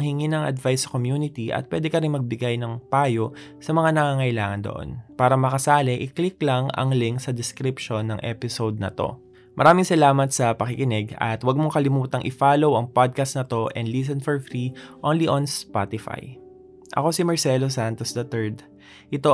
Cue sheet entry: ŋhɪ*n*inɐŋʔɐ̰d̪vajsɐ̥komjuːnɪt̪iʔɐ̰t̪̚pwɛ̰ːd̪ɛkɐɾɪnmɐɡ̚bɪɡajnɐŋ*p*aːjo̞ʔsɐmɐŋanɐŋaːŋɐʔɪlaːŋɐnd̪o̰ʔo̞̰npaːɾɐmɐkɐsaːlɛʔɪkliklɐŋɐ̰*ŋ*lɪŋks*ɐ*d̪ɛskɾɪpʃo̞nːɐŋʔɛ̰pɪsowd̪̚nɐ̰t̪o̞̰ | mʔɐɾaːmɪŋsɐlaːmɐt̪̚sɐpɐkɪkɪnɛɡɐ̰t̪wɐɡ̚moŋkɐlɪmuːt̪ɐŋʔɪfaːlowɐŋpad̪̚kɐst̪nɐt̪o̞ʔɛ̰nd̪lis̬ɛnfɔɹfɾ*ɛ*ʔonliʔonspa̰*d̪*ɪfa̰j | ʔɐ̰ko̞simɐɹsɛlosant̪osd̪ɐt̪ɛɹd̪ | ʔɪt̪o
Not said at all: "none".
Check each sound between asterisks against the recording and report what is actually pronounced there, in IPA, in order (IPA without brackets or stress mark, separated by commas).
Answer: ŋ, p, ŋ, ɐ, i, t̪